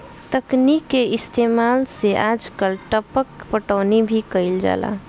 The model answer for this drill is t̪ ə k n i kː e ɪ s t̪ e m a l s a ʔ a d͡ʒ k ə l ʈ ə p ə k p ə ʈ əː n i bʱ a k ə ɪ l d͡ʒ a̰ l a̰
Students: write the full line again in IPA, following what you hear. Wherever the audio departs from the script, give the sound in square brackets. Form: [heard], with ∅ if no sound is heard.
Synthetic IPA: t̪ ə k n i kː e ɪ s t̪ e m a l s [e] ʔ a d͡ʒ k ə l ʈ ə p ə k p ə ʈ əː n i bʱ [i] k ə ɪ l d͡ʒ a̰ l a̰